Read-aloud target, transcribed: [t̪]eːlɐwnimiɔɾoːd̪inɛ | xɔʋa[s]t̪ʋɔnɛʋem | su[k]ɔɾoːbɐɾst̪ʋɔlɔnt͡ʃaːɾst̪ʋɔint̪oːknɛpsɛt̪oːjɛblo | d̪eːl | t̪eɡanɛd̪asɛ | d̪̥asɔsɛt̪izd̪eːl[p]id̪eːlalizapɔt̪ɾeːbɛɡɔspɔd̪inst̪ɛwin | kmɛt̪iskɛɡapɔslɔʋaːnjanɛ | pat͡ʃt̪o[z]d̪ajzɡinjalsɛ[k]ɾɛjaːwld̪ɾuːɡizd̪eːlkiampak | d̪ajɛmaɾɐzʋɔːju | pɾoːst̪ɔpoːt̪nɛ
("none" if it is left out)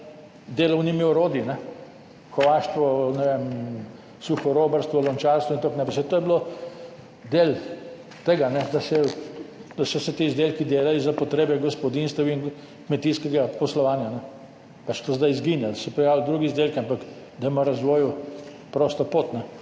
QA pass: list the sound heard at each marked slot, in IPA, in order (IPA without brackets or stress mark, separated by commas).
d̪, ʃ, x, k, z, p